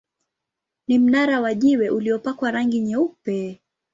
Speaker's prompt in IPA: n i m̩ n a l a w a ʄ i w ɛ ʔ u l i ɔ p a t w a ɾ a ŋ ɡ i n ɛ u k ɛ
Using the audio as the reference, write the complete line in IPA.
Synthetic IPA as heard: n i m̩ n a ɾ a w a ʄ i w ɛ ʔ u l i ɔ p a k w a ɾ a ŋ ɡ i ɲ ɛ u p ɛ